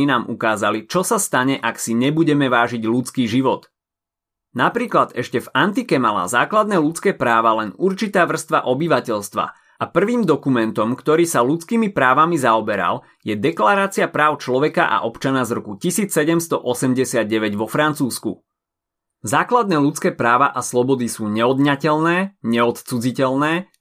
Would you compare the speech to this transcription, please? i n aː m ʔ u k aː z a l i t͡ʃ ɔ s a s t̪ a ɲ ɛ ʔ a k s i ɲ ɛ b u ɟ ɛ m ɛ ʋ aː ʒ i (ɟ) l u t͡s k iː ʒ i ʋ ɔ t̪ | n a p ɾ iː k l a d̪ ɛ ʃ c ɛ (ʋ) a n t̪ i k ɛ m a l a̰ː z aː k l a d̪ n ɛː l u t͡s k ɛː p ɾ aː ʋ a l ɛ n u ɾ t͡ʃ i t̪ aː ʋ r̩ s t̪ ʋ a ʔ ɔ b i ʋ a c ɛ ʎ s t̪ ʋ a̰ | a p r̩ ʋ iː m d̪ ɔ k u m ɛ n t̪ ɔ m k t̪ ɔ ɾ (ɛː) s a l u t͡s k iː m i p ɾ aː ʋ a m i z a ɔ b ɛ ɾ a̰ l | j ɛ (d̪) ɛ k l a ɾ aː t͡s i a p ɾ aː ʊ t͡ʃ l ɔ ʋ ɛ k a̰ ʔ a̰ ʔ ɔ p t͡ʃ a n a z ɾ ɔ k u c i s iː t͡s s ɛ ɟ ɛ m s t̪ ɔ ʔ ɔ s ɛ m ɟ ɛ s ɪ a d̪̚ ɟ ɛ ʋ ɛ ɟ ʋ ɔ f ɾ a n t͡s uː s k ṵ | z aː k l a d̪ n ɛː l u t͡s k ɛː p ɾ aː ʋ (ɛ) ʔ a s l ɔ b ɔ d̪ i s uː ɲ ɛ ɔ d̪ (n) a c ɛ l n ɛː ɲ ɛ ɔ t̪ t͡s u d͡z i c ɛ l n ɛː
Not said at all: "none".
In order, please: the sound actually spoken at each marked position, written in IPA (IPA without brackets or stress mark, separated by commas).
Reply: ɟ, v, iː, d̪, a, ɲ